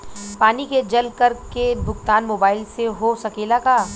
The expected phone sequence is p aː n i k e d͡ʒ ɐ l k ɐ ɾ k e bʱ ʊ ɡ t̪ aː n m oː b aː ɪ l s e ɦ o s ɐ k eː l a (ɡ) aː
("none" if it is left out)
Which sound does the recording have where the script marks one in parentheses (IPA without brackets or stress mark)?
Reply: k